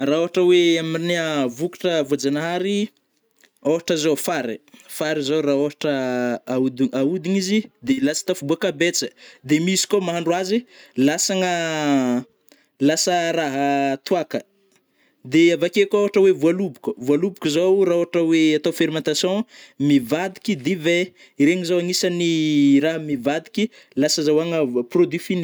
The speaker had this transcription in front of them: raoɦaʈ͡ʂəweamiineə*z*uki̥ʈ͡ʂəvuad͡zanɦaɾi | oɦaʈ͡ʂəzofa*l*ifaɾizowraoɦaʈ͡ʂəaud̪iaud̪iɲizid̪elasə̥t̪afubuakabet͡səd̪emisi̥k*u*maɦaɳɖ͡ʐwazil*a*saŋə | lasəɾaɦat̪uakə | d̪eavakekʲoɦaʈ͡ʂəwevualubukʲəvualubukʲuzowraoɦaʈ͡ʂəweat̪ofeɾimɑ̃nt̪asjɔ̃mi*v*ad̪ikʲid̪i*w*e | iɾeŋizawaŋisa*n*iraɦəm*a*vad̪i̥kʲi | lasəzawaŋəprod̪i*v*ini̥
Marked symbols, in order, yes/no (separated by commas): no, no, no, yes, yes, no, yes, no, no